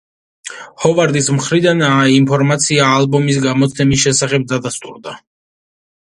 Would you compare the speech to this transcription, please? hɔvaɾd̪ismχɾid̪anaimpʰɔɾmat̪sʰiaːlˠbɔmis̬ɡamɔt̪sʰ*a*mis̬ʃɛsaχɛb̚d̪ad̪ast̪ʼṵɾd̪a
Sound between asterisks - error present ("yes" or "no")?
yes